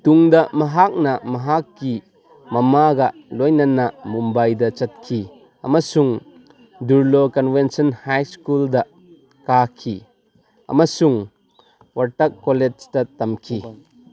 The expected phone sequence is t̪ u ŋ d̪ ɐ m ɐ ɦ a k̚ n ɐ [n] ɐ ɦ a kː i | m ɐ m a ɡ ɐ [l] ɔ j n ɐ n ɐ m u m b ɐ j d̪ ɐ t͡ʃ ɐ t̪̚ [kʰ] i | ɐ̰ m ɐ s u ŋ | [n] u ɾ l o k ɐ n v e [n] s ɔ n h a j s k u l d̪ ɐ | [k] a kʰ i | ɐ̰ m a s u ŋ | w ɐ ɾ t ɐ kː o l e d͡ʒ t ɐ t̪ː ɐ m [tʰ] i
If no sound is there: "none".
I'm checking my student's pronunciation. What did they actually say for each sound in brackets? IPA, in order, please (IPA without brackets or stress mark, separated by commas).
m, l, kʰ, d, n, k, kʰ